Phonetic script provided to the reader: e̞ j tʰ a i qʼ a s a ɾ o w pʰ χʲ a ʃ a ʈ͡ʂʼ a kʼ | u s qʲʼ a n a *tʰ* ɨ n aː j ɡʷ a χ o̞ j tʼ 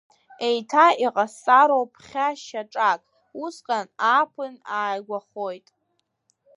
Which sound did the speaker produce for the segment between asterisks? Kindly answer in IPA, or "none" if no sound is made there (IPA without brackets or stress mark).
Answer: pʰ